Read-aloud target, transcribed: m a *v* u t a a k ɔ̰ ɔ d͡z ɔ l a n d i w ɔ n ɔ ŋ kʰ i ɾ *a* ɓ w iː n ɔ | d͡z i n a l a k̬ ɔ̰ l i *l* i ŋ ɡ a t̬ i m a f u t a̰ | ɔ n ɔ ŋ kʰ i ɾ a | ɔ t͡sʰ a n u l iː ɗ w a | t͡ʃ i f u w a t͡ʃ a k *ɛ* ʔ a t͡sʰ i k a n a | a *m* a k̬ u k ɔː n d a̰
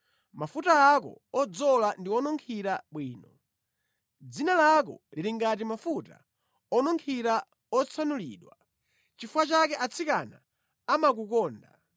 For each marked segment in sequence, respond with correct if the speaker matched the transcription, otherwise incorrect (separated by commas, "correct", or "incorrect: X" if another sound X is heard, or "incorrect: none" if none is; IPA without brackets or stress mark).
incorrect: f, correct, incorrect: ɾ, correct, correct